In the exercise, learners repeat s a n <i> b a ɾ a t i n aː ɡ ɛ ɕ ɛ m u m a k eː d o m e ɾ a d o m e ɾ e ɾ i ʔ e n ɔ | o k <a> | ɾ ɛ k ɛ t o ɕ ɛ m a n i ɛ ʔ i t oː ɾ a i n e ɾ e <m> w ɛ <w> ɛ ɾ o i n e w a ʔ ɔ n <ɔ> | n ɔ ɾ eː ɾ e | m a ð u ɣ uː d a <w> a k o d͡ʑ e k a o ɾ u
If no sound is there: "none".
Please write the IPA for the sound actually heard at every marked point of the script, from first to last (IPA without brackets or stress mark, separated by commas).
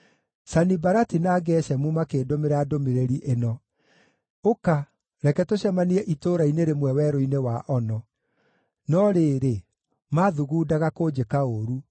i, a, m, w, ɔ, ɣ